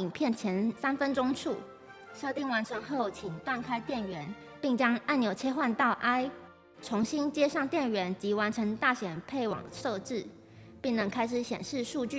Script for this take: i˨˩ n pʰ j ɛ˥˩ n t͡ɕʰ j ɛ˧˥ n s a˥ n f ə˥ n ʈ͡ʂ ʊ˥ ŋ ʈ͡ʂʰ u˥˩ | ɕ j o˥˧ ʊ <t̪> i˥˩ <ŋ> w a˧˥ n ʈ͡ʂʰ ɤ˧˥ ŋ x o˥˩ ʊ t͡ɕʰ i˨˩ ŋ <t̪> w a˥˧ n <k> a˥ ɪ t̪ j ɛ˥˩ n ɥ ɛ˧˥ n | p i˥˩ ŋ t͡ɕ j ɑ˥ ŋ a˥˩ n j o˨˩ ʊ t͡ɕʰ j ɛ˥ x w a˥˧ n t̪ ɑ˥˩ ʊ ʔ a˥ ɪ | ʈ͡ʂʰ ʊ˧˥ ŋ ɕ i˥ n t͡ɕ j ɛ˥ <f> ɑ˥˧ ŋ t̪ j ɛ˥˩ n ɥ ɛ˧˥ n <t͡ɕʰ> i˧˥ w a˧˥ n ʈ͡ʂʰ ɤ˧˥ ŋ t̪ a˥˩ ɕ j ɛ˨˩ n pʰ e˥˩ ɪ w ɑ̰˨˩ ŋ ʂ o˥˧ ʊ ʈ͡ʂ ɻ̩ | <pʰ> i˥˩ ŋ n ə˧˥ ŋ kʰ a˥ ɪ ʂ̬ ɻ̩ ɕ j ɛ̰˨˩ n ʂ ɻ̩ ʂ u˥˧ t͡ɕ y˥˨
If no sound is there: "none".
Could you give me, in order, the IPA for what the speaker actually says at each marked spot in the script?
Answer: t̪, ŋ, t̪, kʰ, ʂ, t͡ɕ, p

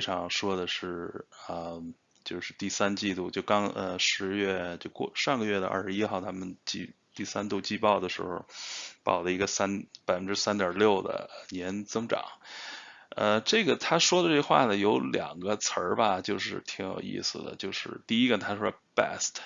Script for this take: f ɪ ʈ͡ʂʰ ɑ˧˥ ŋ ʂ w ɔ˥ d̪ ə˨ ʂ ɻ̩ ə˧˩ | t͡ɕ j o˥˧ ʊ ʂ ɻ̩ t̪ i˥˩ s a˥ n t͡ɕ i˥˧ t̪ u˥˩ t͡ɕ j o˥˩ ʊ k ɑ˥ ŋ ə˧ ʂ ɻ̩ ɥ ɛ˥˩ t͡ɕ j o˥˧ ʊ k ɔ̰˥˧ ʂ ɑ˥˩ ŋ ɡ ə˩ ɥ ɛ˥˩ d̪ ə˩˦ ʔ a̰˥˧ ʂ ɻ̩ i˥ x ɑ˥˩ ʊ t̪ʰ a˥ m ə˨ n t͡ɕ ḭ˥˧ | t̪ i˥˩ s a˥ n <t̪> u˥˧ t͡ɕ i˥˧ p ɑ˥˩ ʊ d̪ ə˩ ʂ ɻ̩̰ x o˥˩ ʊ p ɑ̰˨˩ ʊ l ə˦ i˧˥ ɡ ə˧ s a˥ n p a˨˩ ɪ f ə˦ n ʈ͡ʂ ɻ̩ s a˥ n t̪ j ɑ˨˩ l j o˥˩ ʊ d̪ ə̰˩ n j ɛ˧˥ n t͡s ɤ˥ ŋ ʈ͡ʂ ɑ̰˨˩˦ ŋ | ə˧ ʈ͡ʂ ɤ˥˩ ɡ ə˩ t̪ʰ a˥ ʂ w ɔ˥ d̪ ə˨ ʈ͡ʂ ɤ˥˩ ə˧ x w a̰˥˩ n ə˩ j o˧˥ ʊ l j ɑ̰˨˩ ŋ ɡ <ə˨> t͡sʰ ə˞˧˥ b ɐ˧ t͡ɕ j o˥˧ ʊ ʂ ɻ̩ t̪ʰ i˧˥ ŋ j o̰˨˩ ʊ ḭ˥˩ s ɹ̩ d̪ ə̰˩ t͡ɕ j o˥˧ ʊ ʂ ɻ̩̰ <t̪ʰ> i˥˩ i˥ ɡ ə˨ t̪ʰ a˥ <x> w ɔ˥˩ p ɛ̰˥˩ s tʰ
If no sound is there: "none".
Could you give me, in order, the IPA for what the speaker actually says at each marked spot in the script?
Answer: t̪, ə˦, t̪, ʂ

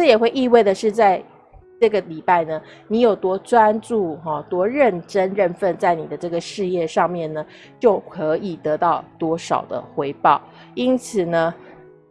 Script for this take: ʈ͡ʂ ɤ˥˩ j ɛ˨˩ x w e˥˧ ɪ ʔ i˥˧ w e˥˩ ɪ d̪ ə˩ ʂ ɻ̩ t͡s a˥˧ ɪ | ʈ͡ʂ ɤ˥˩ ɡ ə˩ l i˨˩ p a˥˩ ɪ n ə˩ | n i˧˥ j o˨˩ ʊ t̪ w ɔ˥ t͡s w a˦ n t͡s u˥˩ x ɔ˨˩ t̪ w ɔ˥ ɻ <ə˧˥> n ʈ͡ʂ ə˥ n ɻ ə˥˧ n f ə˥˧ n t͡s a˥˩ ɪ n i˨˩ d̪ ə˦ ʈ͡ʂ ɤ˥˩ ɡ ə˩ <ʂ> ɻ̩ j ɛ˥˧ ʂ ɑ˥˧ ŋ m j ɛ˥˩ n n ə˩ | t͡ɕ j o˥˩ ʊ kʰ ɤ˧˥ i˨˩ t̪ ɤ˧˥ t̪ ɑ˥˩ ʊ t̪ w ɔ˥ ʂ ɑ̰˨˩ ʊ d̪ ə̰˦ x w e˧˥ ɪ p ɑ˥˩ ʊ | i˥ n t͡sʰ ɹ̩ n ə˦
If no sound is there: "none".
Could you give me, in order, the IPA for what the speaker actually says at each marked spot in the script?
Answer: ə˥˨˩, ʂ

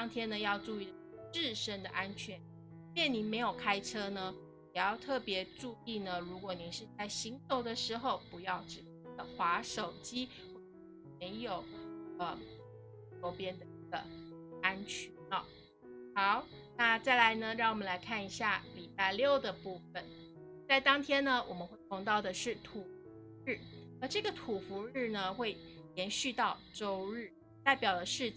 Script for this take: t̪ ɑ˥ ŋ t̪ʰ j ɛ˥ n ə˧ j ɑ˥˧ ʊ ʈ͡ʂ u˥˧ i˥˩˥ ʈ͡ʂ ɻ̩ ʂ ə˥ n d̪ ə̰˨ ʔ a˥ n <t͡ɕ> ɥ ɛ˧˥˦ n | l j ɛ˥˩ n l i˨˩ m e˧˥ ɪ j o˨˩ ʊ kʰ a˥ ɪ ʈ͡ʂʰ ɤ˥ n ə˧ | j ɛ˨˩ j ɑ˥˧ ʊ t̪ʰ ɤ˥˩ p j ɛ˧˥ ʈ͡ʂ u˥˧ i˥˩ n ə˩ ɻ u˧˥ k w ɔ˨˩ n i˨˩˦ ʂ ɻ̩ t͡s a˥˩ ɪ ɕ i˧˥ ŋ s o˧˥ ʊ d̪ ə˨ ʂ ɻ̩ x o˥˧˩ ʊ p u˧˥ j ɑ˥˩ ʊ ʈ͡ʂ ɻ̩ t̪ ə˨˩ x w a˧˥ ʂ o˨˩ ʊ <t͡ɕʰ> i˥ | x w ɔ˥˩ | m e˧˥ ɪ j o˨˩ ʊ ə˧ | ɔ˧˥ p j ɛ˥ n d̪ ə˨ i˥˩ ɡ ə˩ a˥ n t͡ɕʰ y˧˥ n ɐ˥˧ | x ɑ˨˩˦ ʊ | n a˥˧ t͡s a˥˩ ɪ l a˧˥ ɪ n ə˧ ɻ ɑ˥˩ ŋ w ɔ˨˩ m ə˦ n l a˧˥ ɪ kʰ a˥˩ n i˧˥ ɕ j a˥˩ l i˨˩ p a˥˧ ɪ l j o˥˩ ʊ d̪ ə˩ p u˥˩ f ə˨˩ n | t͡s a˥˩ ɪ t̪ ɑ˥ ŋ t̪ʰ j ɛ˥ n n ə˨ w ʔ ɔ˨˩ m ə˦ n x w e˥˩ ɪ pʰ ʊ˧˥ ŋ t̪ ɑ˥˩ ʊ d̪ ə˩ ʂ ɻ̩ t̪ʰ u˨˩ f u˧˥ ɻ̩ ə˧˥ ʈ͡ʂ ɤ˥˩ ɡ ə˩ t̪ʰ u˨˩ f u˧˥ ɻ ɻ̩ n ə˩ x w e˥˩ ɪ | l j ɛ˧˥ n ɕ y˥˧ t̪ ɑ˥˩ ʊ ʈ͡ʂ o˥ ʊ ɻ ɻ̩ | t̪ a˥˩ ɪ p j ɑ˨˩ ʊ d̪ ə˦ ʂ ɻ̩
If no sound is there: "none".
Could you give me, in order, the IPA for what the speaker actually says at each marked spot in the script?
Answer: t͡ɕʰ, t͡ɕ

